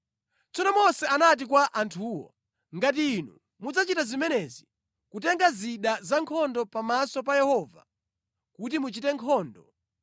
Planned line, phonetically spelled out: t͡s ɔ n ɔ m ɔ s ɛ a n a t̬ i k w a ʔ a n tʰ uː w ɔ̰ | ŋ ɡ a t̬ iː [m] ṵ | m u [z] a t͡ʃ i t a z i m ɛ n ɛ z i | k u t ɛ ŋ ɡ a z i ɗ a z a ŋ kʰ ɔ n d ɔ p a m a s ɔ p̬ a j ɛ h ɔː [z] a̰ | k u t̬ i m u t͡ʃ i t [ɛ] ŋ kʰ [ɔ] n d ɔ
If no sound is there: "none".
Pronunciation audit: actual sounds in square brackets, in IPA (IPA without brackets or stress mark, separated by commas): n, d͡z, v, ɛ, ɔː